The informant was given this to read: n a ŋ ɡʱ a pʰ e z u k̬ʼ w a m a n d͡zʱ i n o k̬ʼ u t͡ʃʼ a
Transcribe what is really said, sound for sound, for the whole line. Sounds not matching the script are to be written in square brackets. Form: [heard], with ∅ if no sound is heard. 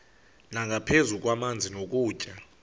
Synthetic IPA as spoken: n a ŋ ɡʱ a pʰ e z u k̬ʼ w a m a n d͡zʱ i n o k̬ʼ [uː] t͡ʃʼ a